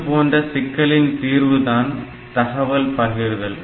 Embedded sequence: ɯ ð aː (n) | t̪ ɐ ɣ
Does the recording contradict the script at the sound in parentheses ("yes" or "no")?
no